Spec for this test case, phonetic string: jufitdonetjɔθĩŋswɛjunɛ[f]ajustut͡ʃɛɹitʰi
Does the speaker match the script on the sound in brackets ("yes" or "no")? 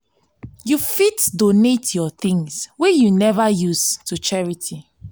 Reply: no